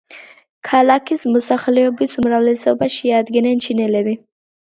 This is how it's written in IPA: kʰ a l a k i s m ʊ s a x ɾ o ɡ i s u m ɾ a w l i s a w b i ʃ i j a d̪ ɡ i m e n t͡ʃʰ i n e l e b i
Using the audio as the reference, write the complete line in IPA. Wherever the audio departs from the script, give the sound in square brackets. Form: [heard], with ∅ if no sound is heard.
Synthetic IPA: kʰ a l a k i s m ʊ s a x [l] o [b] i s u m ɾ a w l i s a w b [a] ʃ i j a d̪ ɡ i [n] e n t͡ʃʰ i n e l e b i

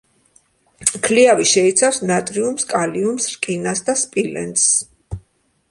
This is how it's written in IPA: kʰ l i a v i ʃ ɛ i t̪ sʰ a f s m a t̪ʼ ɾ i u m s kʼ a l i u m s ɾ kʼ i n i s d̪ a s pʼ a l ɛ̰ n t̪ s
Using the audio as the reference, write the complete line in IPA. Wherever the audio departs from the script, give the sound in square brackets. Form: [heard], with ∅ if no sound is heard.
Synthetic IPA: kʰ l i a v i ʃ ɛ i t̪ sʰ a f s [n] a t̪ʼ ɾ i u m s kʼ a l i u m s ɾ kʼ i n [a] s d̪ a s pʼ [i] l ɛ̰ n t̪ s

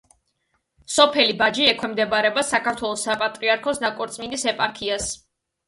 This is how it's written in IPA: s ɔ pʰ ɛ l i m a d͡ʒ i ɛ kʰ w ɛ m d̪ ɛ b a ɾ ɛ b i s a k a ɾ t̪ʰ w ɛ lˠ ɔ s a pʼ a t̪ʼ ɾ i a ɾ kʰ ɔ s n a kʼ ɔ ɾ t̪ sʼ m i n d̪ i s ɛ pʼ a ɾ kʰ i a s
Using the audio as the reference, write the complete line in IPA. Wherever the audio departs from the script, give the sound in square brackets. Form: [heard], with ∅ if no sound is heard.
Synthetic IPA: s ɔ pʰ ɛ l i [b] a d͡ʒ i ɛ kʰ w ɛ m d̪ ɛ b a ɾ ɛ b [a] s a k a ɾ t̪ʰ w ɛ lˠ ɔ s a pʼ a t̪ʼ ɾ i a ɾ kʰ ɔ s n a kʼ ɔ ɾ t̪ sʼ m i n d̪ i s ɛ pʼ a ɾ kʰ i a s

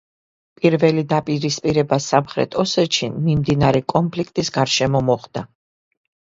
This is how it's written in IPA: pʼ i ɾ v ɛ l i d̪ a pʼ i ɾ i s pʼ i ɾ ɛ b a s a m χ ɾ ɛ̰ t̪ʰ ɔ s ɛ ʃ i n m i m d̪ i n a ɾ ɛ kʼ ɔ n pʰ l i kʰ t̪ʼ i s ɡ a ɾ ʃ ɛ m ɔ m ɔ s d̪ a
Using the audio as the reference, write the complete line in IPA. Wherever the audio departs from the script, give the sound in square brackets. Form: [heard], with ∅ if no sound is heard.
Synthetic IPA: pʼ i ɾ v ɛ l i d̪ a pʼ i ɾ i s pʼ i ɾ ɛ b a s a m χ ɾ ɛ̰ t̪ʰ ɔ s ɛ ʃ i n m i m d̪ i n a ɾ ɛ kʼ ɔ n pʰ l i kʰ t̪ʼ i s ɡ a ɾ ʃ ɛ m ɔ m ɔ [χ] d̪ a

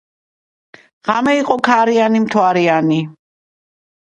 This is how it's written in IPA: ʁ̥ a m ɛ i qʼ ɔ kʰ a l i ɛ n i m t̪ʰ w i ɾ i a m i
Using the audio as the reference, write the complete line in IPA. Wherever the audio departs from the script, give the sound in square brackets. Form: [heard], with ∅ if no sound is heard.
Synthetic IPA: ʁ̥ a m ɛ i qʼ ɔ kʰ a [ɾ] i [a] n i m t̪ʰ w [a] ɾ i a [n] i

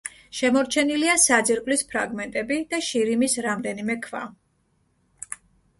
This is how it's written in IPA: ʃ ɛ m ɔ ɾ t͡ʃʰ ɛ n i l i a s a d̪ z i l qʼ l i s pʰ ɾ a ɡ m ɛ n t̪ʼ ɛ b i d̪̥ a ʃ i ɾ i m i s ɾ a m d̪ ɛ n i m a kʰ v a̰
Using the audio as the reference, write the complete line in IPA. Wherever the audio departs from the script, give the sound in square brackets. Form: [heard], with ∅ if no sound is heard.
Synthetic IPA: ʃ ɛ m ɔ ɾ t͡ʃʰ ɛ n i l i a s a d̪ z i [ɾ] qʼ l i s pʰ ɾ a ɡ m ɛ n t̪ʼ ɛ b i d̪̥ a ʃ i ɾ i m i s ɾ a m d̪ ɛ n i m [ɛ] kʰ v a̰

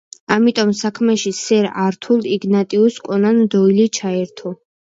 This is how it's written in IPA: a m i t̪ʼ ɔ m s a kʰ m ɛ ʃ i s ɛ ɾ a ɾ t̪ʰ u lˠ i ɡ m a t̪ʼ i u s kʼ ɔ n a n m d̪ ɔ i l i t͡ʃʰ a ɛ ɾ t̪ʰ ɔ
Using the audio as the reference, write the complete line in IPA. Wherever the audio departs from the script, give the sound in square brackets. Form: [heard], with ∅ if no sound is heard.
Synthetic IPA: a m i t̪ʼ ɔ m s a kʰ m ɛ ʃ i s ɛ ɾ a ɾ t̪ʰ u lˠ i ɡ [n] a t̪ʼ i u s kʼ ɔ n a n m d̪ ɔ i l i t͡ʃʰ a ɛ ɾ t̪ʰ ɔ

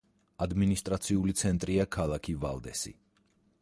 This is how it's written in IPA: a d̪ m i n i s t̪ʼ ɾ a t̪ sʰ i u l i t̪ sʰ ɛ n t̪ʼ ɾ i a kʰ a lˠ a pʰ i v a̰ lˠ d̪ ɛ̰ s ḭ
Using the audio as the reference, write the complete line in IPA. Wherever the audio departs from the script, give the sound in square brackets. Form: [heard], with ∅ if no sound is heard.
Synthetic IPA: a d̪ m i n i s t̪ʼ ɾ a t̪ sʰ i u l i t̪ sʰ ɛ n t̪ʼ ɾ i a kʰ a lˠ a [kʰ] i v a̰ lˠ d̪ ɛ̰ s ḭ

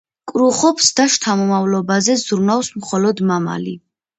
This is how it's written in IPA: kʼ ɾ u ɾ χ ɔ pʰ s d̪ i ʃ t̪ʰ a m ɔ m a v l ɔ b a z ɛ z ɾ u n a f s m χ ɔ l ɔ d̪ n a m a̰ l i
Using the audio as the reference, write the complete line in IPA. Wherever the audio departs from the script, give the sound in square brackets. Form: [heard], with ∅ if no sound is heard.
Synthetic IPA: kʼ ɾ u [∅] χ ɔ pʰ s d̪ [a] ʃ t̪ʰ a m ɔ m a v l ɔ b a z ɛ z ɾ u n a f s m χ ɔ l ɔ d̪ [m] a m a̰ l i

